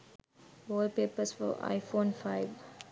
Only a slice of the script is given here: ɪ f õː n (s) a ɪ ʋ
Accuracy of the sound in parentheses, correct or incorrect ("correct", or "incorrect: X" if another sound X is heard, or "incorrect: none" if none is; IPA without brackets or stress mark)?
incorrect: f